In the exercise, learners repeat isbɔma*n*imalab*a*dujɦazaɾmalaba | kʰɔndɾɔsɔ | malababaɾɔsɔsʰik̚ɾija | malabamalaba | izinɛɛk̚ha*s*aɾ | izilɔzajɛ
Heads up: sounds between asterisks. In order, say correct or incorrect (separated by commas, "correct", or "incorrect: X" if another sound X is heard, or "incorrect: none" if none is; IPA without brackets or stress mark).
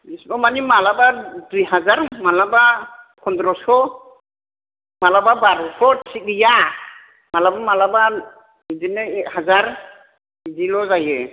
correct, correct, incorrect: z